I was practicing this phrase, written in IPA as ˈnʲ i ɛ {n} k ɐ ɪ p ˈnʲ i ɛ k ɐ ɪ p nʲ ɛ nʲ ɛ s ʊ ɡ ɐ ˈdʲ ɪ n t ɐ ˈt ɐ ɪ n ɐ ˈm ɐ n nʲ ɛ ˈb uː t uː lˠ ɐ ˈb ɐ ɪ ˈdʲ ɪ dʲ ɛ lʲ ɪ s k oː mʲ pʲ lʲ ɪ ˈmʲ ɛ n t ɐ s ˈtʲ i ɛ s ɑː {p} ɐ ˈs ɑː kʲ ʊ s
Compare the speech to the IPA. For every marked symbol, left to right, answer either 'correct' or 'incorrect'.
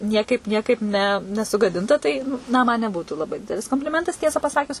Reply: incorrect: none, correct

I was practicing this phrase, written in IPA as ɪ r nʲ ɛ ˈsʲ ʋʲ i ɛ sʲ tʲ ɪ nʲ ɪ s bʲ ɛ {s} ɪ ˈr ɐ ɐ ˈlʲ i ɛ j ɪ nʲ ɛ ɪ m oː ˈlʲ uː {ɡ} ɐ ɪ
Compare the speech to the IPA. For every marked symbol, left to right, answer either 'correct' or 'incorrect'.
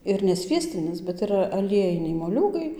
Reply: incorrect: t, correct

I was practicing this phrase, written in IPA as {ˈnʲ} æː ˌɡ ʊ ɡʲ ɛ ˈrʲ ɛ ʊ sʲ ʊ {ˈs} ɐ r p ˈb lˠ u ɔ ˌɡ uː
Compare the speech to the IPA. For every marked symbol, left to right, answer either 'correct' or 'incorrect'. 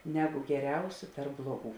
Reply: correct, incorrect: t

